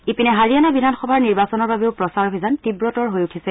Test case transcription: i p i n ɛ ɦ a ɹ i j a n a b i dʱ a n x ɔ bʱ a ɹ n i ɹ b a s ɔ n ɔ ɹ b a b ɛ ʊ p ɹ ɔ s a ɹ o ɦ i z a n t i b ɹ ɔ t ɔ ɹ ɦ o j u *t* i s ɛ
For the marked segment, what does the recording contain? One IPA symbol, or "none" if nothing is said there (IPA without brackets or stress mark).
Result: tʰ